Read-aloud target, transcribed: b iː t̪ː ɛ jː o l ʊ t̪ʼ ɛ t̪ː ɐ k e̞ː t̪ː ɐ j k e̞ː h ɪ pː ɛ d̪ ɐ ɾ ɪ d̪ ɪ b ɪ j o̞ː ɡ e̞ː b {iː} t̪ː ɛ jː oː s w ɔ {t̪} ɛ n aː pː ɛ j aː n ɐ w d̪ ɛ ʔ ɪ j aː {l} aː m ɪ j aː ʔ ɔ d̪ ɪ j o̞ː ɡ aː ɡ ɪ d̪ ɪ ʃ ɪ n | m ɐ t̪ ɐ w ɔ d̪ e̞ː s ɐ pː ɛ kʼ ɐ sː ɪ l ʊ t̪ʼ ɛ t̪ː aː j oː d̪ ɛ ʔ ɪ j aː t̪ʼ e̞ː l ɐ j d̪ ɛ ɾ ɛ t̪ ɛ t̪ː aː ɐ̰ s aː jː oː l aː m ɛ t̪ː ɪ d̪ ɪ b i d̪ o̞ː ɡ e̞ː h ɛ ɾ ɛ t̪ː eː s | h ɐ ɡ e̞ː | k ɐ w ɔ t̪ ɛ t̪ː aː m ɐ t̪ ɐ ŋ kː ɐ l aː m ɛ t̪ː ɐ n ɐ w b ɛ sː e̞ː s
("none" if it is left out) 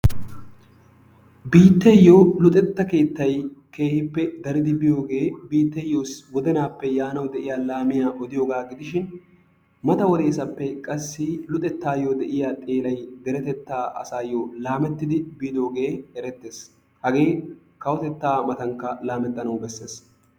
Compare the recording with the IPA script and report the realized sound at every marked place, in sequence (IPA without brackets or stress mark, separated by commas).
iː, d̪, l